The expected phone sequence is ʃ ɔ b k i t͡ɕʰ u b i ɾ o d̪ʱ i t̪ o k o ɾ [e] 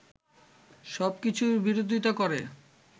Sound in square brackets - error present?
no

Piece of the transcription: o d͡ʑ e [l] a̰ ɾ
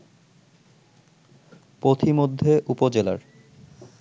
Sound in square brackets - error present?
no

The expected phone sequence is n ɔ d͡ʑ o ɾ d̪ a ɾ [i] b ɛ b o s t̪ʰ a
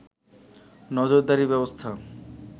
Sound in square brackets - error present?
no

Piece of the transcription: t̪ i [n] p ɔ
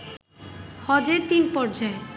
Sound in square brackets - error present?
no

